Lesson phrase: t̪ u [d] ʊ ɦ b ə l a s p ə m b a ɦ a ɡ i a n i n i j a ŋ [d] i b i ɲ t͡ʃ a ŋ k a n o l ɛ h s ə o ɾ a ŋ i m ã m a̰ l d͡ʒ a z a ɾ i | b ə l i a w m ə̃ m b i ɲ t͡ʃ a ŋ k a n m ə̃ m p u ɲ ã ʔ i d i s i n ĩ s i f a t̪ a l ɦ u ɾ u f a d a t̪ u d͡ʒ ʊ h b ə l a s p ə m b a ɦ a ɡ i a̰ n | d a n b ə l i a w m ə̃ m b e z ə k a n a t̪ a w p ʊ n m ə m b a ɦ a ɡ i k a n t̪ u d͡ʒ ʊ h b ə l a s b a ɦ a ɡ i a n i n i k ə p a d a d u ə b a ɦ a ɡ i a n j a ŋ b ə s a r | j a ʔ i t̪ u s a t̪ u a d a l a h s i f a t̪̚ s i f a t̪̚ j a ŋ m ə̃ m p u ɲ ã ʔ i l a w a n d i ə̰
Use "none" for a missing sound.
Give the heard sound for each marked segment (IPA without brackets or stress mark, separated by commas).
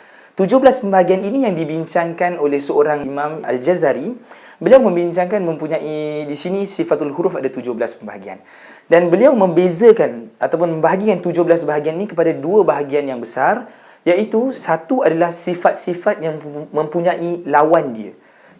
d͡ʒ, d